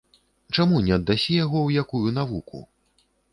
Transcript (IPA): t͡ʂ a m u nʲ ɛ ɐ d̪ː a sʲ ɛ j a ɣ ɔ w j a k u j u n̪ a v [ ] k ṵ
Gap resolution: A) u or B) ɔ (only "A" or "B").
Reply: A